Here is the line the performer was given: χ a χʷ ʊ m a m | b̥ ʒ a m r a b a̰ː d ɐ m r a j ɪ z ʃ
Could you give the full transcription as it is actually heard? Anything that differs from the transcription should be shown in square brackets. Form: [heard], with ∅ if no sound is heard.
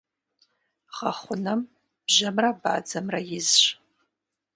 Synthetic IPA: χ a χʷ ʊ [n] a m | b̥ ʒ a m r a b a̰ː [d͡z] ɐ m r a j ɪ z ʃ